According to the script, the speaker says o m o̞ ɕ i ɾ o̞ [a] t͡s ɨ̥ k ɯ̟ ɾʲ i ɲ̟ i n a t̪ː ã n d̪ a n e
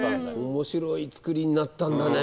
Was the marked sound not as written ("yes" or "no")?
yes